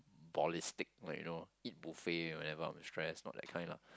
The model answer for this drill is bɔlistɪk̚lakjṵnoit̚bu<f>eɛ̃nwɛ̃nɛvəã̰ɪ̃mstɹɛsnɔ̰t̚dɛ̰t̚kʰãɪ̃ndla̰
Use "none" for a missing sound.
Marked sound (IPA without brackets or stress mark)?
f